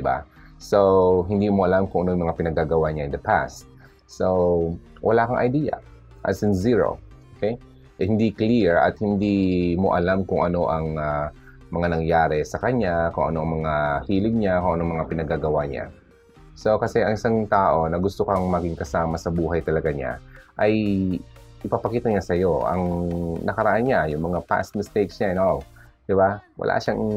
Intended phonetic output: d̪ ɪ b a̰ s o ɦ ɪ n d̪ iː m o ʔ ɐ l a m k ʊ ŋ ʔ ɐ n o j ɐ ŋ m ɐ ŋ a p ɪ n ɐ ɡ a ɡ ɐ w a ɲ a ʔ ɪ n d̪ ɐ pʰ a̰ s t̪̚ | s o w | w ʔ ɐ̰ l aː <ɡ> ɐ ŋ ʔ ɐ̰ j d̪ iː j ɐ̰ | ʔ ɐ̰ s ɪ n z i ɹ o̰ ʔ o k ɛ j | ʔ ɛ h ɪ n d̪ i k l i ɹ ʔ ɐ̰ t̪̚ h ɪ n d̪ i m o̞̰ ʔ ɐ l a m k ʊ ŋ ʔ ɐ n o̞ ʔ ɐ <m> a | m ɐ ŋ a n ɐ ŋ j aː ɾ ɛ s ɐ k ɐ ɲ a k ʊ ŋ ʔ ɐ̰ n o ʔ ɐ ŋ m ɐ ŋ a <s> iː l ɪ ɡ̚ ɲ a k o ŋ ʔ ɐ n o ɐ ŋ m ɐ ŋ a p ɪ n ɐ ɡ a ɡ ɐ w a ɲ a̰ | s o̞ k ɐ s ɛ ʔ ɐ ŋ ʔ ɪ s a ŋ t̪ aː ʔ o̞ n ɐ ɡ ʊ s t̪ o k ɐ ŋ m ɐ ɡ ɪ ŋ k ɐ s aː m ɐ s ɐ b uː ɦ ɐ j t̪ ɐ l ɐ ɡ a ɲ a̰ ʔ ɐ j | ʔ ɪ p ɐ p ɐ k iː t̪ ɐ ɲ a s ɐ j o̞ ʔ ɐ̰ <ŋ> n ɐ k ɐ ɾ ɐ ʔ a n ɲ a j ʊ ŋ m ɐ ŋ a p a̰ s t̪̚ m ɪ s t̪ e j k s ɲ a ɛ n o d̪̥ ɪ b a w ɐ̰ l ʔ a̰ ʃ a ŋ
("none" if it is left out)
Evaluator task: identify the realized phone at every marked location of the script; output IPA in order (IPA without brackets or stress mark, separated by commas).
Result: k, ŋ, h, ŋ